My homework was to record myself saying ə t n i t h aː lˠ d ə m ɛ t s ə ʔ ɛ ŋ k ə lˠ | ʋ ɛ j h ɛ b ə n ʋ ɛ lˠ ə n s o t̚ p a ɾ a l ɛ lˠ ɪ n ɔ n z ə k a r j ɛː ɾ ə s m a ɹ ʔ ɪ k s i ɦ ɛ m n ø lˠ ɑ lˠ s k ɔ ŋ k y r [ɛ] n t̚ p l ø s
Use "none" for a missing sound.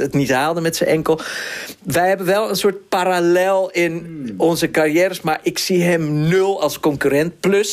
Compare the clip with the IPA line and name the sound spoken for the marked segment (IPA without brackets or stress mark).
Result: ɛ